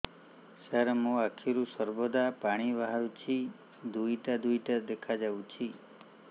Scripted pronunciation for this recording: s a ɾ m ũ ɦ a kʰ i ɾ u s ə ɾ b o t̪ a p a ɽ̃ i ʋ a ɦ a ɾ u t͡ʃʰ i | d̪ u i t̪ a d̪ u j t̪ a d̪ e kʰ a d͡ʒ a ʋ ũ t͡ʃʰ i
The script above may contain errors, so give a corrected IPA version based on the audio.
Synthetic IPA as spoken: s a ɾ m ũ a kʰ i ɾ u s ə ɾ b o d̪ a p a ɽ̃ i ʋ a ɦ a ɾ u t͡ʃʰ i | d̪ u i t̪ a d̪ u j t̪ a d̪ e kʰ a d͡ʒ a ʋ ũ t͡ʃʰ i